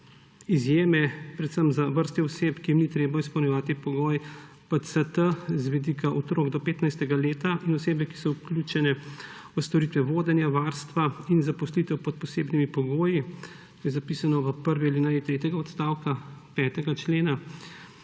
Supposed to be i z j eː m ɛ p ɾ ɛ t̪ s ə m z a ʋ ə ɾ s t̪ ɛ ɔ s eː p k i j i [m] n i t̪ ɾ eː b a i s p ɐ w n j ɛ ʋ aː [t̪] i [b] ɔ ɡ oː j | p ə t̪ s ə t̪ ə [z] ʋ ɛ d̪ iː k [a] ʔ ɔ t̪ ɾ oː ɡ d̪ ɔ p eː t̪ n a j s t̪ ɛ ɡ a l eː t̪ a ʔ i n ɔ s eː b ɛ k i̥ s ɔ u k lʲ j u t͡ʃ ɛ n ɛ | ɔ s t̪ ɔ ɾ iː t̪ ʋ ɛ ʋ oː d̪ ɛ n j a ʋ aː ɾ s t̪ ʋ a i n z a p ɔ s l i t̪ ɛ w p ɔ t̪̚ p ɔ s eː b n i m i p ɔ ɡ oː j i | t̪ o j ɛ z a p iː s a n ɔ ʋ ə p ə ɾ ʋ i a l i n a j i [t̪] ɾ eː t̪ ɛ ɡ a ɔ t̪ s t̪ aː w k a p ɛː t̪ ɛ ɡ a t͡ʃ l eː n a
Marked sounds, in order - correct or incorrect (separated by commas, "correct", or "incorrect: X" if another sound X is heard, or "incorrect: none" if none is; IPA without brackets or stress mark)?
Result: correct, correct, incorrect: p, correct, correct, correct